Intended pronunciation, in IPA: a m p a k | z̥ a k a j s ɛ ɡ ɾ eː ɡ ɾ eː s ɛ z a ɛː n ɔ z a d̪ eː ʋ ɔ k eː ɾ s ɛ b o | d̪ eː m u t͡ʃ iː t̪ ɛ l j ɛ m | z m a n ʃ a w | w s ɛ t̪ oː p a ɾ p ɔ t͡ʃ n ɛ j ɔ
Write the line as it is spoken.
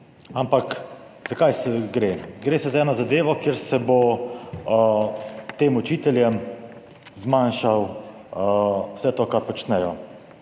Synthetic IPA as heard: a m p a k | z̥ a k a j s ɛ ɡ ɾ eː ɡ ɾ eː s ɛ z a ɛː n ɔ z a d̪ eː ʋ ɔ k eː ɾ s ɛ b o | t̪ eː m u t͡ʃ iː t̪ ɛ l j ɛ m | z m a n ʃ a w | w s ɛ t̪ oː k a ɾ p ɔ t͡ʃ n ɛ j ɔ

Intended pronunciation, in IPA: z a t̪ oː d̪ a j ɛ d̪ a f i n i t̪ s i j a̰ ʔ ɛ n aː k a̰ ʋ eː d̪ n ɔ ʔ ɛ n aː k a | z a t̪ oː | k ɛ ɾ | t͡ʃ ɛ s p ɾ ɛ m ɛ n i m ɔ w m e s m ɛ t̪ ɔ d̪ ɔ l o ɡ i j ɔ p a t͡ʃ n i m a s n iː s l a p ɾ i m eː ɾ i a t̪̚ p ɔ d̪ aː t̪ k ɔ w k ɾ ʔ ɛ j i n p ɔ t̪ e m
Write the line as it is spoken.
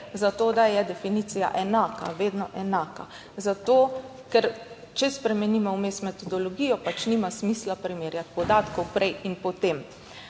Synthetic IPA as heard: z a t̪ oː d̪ a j ɛ d̪ ɛ f i n i t̪ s i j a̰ ʔ ɛ n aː k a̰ ʋ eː d̪ n ɔ ʔ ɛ n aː k a | z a t̪ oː | k ɛ ɾ | t͡ʃ ɛ s p ɾ ɛ m ɛ n i m ɔ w m e s m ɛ t̪ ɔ d̪ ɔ l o ɡ i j ɔ p a t͡ʃ n i m a s m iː s l a p ɾ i m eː ɾ j a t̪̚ p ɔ d̪ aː t̪ k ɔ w p ɾ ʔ ɛ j i n p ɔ t̪ e m

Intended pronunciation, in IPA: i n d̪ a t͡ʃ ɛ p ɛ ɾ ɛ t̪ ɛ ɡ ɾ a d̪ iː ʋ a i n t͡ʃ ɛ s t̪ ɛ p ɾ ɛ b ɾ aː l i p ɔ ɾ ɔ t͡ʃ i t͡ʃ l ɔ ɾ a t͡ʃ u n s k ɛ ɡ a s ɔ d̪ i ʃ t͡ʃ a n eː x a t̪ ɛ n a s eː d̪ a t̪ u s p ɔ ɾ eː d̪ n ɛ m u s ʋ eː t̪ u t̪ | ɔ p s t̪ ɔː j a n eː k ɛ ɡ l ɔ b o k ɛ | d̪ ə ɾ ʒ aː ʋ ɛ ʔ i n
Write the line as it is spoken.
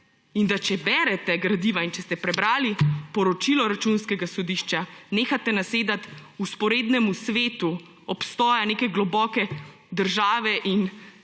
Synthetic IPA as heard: i n d̪ a t͡ʃ ɛ b ɛ ɾ ɛ t̪ ɛ ɡ ɾ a d̪ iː ʋ a i n t͡ʃ ɛ s t̪ ɛ p ɾ ɛ b ɾ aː l i p ɔ ɾ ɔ t͡ʃ i l ɔ ɾ a t͡ʃ u n s k ɛ ɡ a s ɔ d̪ i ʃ t͡ʃ a n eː x a t̪ ɛ n a s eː d̪ a t̪ u s p ɔ ɾ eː d̪ n ɛ m u s ʋ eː t̪ u | ɔ p s t̪ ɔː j a n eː k ɛ ɡ l ɔ b ɔ k ɛ | d̪ ə ɾ ʒ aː ʋ ɛ ʔ i n

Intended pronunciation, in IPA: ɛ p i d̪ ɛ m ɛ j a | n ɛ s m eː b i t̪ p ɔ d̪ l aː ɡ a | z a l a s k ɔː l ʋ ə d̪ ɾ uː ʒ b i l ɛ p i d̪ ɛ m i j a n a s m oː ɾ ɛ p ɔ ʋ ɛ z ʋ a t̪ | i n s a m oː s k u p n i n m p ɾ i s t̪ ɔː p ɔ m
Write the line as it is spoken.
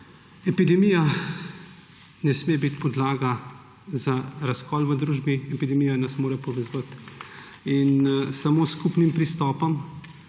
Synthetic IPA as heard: ɛ p i d̪ ɛ m i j a | n ɛ s m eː b i t̪ p ɔ d̪ l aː ɡ a | z a ɾ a s k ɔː l ʋ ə d̪ ɾ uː ʒ b i ɛ p i d̪ ɛ m i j a n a s m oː ɾ ɛ p ɔ ʋ ɛ z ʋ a t̪ | i n s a m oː s k u p n i m p ɾ i s t̪ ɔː p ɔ m

